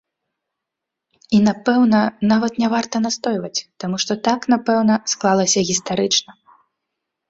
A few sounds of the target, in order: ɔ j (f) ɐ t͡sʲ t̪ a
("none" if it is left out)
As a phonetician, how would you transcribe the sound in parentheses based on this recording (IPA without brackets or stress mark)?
v